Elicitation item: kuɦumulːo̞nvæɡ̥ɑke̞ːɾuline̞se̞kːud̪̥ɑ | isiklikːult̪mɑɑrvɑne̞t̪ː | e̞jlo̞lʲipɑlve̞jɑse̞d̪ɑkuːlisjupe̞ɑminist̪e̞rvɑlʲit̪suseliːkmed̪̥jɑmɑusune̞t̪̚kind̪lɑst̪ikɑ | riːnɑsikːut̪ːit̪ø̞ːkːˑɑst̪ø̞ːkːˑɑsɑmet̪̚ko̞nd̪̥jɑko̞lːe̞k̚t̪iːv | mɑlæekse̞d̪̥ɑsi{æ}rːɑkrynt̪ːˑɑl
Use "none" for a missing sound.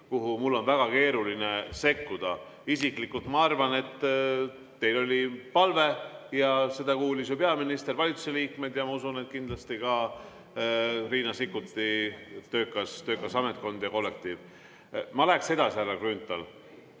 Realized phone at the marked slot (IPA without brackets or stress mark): æ